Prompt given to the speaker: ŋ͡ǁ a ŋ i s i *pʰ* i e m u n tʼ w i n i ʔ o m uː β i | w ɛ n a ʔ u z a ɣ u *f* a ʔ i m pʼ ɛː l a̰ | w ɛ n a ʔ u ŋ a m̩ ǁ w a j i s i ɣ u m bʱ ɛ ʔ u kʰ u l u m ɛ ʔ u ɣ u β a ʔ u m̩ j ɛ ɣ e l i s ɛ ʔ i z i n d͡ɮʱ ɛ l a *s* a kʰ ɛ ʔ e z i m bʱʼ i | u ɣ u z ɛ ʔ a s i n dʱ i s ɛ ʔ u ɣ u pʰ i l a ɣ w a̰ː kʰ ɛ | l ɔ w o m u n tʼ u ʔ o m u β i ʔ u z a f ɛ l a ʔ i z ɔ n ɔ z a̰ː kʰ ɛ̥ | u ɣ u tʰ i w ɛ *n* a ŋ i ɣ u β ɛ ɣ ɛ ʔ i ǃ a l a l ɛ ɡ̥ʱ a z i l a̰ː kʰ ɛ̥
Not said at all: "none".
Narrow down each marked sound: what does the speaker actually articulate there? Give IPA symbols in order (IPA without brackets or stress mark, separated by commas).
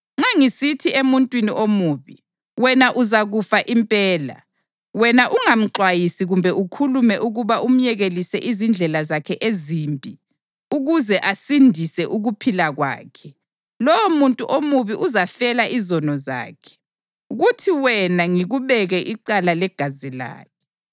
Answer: tʰ, f, z, n